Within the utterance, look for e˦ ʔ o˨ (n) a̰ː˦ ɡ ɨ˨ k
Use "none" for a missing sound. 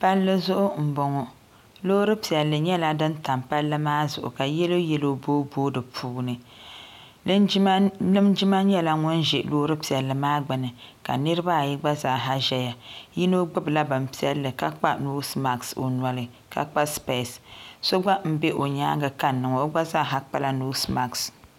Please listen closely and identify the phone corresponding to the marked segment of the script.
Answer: ɲ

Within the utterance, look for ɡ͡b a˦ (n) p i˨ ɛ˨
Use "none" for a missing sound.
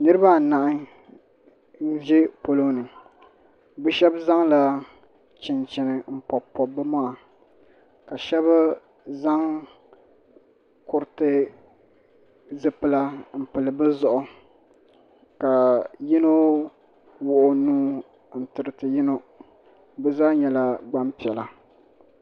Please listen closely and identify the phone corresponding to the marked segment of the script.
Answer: m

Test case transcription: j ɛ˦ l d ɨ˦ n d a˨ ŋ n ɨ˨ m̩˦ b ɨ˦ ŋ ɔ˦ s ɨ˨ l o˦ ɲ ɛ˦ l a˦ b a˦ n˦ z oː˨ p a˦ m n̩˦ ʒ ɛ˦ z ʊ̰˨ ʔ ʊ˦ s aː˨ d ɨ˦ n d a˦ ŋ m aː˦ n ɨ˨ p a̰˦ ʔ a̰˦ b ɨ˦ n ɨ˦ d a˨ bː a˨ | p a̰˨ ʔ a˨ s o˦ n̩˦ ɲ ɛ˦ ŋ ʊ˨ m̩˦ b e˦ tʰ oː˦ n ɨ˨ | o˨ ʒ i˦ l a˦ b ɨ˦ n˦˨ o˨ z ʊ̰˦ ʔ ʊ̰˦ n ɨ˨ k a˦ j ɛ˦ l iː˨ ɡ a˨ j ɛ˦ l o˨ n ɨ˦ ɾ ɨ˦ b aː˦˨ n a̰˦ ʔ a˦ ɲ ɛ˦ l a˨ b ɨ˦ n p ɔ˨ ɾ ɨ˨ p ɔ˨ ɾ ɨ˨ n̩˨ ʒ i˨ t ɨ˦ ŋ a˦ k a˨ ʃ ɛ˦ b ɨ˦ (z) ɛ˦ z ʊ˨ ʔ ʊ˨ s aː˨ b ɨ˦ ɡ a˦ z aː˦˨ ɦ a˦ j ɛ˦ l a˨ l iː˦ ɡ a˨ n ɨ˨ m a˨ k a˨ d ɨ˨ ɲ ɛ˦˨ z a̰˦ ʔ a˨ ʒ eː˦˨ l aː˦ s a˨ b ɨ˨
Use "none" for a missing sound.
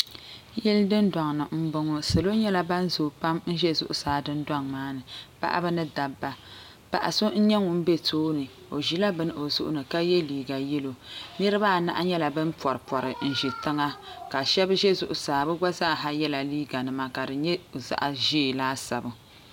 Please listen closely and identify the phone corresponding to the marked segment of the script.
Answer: ʒ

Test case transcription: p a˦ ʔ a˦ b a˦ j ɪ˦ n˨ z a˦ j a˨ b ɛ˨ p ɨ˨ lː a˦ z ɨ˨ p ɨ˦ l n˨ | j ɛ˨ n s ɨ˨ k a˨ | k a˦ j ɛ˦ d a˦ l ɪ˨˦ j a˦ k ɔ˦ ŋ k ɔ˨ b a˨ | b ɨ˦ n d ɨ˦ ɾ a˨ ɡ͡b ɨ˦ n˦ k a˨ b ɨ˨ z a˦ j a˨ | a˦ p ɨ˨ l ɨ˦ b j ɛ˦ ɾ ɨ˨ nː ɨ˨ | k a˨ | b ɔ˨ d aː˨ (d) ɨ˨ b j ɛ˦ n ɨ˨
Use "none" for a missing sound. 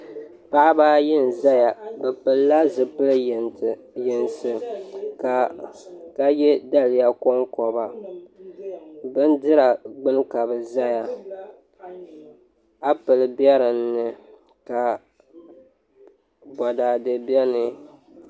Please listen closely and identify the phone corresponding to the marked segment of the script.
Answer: d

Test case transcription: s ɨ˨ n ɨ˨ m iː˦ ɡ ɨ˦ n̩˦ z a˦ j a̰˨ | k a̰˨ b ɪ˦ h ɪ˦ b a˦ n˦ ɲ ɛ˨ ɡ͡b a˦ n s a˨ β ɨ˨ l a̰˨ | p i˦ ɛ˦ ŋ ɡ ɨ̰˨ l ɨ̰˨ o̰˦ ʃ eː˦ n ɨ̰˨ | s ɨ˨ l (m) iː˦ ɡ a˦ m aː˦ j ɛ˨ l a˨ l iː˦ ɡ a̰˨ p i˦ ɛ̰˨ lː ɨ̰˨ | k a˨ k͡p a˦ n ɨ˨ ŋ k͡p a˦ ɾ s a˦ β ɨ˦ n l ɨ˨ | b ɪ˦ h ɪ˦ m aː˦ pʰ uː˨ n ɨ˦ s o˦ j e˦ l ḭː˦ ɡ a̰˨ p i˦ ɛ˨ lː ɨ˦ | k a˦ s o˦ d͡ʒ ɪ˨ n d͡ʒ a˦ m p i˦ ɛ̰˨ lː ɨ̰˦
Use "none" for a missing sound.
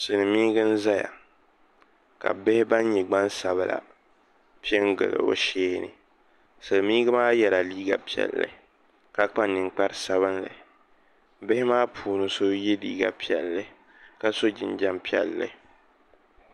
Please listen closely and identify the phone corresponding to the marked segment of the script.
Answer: m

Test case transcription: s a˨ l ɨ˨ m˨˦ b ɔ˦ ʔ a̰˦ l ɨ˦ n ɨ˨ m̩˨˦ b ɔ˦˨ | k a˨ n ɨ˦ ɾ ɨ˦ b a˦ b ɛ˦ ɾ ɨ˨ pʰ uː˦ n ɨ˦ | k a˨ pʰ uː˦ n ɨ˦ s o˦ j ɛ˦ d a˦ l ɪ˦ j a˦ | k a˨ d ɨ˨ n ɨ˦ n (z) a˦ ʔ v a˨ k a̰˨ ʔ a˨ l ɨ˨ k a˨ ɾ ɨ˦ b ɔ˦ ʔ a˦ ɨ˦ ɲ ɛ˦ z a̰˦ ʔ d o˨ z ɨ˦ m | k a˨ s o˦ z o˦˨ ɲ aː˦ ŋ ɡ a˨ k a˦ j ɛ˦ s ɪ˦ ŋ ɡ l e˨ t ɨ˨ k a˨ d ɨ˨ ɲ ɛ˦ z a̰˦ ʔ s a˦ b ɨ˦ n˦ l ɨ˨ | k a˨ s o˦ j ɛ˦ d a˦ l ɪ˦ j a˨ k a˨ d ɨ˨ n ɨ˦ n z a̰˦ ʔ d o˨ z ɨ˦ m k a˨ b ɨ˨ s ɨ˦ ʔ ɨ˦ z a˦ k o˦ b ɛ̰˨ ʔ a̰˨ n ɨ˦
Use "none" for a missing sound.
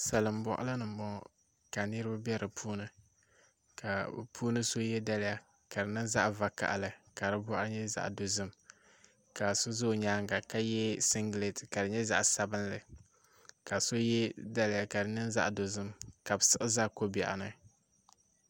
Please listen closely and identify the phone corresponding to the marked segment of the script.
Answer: z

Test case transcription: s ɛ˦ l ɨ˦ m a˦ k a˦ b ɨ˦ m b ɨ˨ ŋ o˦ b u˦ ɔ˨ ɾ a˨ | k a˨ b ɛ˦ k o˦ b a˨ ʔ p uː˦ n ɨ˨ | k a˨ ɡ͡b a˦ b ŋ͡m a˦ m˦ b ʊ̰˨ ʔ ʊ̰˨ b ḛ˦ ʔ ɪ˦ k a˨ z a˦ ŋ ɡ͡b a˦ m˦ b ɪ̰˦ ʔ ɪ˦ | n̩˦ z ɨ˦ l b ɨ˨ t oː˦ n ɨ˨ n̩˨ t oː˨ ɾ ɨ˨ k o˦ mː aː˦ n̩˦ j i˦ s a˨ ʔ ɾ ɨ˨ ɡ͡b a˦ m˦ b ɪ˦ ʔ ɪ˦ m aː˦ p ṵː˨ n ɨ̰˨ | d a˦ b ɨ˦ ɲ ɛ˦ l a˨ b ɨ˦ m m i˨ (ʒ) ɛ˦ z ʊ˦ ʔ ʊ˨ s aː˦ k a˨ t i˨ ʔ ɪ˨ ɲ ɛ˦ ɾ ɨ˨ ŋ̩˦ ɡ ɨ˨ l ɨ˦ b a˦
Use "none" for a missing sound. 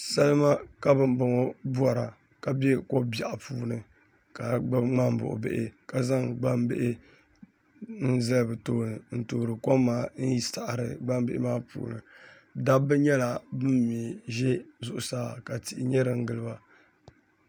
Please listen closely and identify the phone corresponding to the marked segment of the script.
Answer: ʒ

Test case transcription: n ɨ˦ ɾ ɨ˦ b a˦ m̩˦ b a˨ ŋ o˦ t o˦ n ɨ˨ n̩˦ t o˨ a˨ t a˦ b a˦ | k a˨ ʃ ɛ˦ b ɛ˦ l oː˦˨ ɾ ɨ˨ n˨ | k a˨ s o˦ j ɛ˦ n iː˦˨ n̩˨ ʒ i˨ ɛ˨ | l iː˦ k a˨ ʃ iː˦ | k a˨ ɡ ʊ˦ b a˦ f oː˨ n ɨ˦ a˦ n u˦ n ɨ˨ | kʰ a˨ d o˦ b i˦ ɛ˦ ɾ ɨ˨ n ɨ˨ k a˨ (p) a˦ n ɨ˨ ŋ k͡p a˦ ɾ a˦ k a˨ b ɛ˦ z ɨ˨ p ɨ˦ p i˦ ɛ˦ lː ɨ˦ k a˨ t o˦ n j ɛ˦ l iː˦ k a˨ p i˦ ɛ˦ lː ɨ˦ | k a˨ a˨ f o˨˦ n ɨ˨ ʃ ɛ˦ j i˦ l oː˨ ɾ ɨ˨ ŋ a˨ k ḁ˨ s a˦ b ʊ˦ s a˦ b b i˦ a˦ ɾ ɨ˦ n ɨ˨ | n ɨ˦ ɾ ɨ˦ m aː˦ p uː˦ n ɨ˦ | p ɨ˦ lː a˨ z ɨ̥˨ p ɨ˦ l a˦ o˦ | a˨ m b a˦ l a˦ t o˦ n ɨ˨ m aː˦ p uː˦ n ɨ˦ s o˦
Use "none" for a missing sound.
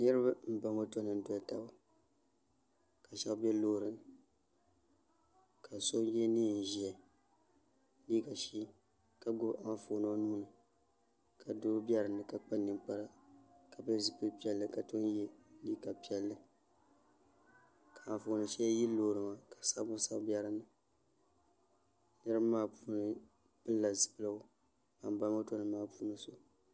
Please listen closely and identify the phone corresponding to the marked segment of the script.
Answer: k͡p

